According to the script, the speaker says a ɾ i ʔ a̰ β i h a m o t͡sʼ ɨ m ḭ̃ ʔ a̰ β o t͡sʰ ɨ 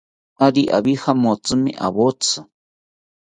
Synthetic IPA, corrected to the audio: a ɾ i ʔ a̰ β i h a m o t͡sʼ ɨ m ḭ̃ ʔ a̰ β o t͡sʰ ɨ